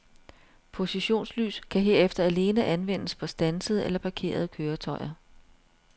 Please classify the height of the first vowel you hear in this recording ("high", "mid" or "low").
mid